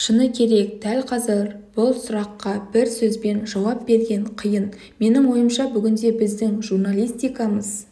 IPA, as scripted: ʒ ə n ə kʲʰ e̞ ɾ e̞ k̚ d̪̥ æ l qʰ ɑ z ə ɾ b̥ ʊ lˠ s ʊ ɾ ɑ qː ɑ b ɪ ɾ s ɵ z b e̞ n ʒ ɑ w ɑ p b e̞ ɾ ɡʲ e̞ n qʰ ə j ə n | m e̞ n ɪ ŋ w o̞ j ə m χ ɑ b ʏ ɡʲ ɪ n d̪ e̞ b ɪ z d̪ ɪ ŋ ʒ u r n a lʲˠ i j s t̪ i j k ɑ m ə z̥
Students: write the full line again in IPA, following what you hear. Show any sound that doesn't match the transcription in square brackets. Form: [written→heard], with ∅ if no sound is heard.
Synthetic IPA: [ʒ→ʃ] ə n ə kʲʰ e̞ ɾ e̞ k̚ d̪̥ æ l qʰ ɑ z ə ɾ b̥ ʊ lˠ s ʊ ɾ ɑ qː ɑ b ɪ ɾ s ɵ z b e̞ n ʒ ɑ w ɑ p b e̞ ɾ ɡʲ e̞ [n→ɴ] qʰ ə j ə n | m e̞ n ɪ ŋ w o̞ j ə m [χ→ʃ] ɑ b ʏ ɡʲ ɪ n d̪ e̞ b ɪ z d̪ ɪ ŋ ʒ u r n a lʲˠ i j s t̪ i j k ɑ m ə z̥

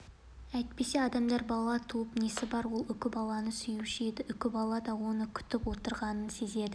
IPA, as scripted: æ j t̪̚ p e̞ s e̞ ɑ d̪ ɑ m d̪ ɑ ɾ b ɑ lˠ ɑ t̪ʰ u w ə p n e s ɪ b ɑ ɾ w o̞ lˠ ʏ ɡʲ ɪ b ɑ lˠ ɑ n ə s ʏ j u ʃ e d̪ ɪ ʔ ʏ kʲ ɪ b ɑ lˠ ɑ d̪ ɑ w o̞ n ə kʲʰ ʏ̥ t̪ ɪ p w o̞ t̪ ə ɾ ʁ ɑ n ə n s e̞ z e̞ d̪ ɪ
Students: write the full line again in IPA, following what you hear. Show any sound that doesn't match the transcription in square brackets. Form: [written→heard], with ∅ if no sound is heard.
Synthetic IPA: æ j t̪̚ p e̞ s e̞ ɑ d̪ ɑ m d̪ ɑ ɾ b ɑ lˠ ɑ t̪ʰ u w ə p n e s ɪ b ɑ ɾ w o̞ lˠ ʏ [ɡʲ→kʲ] ɪ b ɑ lˠ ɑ n ə s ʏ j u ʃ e d̪ ɪ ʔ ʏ kʲ ɪ b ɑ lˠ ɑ d̪ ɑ w o̞ n ə kʲʰ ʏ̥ t̪ ɪ p w o̞ t̪ ə ɾ ʁ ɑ n ə n s e̞ z e̞ d̪ ɪ

